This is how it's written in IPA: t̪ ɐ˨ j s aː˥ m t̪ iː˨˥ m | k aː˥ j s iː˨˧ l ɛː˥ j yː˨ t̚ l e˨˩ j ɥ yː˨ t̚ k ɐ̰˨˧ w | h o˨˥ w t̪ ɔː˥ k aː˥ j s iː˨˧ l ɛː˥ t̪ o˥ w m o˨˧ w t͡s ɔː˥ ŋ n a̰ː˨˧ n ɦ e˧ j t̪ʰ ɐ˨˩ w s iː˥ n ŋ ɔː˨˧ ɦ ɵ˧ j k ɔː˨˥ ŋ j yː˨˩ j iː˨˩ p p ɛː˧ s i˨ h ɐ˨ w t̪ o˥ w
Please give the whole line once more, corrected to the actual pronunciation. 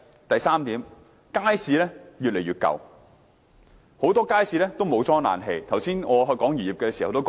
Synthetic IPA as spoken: t̪ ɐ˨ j s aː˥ m t̪ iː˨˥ m | k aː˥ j s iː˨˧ l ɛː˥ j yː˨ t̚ l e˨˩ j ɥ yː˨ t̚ k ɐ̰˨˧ w | h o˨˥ w t̪ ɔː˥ k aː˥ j s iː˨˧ l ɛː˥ t̪ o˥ w m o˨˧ w t͡s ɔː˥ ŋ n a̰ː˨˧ n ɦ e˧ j t̪ʰ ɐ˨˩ w s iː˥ n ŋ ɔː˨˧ ɦ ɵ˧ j k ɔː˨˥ ŋ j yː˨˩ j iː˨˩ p k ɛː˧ s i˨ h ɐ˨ w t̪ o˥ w